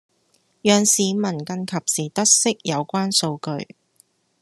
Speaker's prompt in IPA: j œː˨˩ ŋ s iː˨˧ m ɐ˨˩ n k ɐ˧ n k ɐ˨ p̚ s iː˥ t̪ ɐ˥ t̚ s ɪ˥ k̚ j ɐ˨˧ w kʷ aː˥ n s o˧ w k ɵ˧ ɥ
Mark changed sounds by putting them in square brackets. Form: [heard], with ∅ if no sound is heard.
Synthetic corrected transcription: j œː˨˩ ŋ s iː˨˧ m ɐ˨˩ n k ɐ˧ n [kʰ] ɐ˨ p̚ s [iː˨˩] t̪ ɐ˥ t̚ s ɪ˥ k̚ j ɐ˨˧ w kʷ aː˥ n s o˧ w k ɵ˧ ɥ

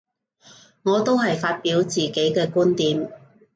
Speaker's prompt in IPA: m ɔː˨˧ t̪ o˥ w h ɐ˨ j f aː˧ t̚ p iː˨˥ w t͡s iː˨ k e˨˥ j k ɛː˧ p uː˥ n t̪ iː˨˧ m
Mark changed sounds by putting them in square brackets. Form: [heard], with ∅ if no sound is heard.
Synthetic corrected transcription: [ŋ] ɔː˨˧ t̪ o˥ w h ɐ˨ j f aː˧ t̚ p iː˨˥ w t͡s iː˨ k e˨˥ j k ɛː˧ [k] uː˥ n t̪ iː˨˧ m

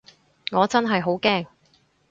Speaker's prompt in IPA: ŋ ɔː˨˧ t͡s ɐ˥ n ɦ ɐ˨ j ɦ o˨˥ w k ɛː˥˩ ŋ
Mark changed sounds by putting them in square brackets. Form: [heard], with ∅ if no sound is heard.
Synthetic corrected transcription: ŋ ɔː˨˧ t͡s ɐ˥ n ɦ ɐ˨ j ɦ o˨˥ w k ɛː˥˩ ŋ

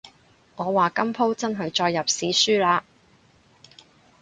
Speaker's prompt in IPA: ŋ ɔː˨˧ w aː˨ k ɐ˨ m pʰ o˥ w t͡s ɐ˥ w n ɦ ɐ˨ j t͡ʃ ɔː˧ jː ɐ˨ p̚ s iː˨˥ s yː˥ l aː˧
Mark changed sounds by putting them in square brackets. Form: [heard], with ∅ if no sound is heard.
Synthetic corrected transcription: ŋ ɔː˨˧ w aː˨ k [ɐ˥] m pʰ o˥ w t͡s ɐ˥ [∅] n ɦ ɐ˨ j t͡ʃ ɔː˧ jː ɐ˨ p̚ s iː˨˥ s yː˥ l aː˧

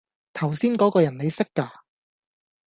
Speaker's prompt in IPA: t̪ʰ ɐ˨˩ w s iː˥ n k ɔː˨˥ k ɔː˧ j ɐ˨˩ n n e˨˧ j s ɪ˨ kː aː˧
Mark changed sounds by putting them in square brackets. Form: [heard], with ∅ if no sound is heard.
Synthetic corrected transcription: t̪ʰ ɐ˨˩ w s iː˥ n k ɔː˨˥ k ɔː˧ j ɐ˨˩ n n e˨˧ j s [ɪ˥] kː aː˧

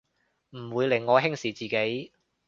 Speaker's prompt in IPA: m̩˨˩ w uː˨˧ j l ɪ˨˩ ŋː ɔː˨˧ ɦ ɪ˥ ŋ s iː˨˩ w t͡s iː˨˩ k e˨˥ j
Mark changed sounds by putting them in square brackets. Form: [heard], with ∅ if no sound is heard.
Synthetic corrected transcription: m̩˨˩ w uː˨˧ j l ɪ˨˩ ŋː ɔː˨˧ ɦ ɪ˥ ŋ s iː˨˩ [∅] t͡s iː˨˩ k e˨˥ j

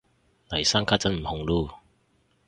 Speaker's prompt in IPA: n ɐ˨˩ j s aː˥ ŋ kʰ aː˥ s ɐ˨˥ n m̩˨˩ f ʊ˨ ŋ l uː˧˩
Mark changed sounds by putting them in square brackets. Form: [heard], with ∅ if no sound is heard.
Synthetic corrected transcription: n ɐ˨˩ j s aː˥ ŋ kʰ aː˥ [t͡s] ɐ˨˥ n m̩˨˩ [h] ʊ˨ ŋ l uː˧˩

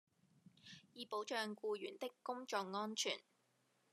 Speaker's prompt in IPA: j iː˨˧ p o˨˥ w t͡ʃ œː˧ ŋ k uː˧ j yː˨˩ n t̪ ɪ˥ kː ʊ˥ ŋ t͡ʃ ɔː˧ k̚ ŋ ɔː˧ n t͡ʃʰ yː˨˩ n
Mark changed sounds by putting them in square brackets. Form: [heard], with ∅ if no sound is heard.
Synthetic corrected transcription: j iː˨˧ p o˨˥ w t͡ʃ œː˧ ŋ k uː˧ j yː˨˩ n t̪ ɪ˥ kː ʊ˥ ŋ t͡ʃ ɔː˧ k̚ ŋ [ɔː˥] n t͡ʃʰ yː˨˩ n

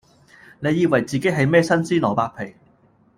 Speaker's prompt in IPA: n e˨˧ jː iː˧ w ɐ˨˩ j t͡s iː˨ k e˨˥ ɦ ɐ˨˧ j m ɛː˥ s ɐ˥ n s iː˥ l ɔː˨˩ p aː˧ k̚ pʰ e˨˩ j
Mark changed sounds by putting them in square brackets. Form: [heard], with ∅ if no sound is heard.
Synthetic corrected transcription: n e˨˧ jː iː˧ w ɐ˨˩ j t͡s iː˨ k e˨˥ ɦ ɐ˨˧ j m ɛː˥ s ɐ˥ n s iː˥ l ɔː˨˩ p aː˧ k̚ pʰ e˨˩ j

